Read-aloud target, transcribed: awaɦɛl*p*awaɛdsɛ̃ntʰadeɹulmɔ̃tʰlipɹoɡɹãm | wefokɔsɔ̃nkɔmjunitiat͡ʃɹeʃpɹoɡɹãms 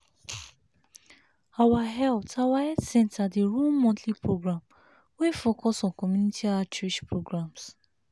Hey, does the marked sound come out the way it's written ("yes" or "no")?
no